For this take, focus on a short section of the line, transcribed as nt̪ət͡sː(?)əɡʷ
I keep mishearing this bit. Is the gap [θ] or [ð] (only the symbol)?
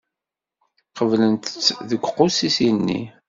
ð